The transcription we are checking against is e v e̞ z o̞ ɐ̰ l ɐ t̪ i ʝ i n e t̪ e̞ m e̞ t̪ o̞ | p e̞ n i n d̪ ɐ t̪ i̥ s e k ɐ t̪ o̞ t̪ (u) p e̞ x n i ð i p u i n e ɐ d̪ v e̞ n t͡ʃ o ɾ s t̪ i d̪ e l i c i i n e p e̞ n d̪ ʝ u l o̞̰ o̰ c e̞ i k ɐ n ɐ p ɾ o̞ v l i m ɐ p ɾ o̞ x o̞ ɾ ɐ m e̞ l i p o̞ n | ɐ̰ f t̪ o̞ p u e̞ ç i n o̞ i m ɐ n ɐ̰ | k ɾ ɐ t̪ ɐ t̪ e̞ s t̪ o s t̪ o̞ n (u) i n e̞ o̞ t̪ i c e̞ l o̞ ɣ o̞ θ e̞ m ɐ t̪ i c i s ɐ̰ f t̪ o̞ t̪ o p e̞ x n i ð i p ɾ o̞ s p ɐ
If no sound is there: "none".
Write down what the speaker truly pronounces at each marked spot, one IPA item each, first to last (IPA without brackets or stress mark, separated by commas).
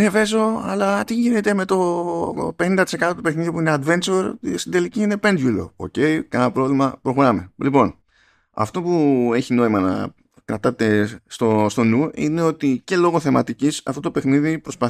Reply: u, u